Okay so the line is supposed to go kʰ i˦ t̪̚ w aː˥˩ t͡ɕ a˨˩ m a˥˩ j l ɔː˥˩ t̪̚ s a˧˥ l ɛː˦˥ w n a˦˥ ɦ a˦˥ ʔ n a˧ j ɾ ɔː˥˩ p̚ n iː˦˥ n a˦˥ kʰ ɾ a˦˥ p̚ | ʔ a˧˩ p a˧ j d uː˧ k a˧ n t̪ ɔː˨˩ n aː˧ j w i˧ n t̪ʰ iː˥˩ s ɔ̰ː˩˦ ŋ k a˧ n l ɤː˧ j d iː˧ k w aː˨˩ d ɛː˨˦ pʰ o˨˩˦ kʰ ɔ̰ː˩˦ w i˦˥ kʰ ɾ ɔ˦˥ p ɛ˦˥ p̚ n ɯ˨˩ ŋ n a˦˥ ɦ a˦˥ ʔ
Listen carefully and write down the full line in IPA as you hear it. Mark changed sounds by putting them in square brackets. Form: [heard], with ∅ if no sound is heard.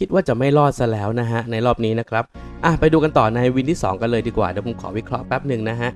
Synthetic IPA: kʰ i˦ t̪̚ w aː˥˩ t͡ɕ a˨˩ m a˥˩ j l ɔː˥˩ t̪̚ s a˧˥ l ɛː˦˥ w n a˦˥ ɦ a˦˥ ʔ n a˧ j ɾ ɔː˥˩ p̚ n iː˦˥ n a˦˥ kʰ ɾ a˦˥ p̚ | ʔ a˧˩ p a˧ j d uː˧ k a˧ n t̪ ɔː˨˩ n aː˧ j w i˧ n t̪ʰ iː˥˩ s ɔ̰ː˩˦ ŋ k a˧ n l ɤː˧ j d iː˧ k w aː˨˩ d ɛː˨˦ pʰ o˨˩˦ kʰ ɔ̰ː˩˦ w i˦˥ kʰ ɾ ɔ˦˥ p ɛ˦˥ p̚ n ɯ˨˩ ŋ n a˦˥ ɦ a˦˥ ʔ